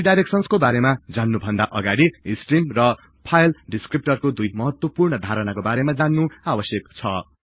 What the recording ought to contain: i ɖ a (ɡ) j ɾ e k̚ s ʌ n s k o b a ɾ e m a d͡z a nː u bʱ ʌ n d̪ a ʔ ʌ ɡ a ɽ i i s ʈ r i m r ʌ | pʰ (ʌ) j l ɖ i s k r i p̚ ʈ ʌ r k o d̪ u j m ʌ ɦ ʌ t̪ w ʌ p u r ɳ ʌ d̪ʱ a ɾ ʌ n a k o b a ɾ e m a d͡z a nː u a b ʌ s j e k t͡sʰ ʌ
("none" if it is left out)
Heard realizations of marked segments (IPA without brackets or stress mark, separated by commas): none, a